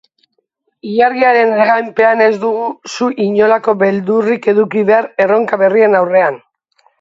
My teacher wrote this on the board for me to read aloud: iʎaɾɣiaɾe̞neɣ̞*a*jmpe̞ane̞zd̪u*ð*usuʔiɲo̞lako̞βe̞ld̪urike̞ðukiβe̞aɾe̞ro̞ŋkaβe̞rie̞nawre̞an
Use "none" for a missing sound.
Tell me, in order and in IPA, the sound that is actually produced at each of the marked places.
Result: a, ɣ

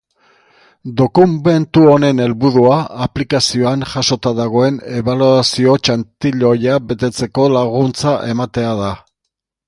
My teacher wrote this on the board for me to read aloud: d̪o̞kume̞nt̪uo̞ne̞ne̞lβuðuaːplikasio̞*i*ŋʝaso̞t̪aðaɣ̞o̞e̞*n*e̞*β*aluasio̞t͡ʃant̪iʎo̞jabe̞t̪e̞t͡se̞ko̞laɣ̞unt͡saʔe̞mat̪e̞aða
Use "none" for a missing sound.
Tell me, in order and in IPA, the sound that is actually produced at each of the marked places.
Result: a, n, β

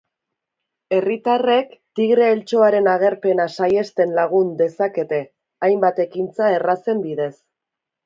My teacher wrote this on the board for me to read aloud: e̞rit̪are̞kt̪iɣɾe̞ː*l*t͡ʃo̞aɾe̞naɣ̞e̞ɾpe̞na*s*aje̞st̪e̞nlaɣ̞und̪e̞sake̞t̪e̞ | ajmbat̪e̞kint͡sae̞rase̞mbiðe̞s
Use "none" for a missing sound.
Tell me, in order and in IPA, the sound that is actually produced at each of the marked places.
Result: l, s

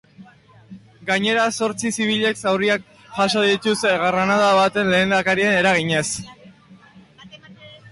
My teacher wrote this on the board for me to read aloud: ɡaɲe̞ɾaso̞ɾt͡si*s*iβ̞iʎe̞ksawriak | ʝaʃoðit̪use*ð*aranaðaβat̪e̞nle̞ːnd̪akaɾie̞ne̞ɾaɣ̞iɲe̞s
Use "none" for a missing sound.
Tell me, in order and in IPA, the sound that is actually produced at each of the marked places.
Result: s, ɣ

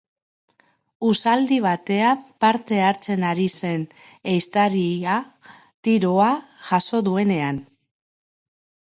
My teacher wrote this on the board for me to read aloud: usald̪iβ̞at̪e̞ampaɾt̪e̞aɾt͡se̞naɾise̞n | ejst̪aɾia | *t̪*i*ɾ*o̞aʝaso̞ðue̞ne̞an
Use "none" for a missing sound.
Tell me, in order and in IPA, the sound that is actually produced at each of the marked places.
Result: t̪, ɾ

